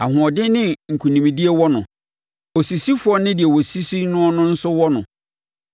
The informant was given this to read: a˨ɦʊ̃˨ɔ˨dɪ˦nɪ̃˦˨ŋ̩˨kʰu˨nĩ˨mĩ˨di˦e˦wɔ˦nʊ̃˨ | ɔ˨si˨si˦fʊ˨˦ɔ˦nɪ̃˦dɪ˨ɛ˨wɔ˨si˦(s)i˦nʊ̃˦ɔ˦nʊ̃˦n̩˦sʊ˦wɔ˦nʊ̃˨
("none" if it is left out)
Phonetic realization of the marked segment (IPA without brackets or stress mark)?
s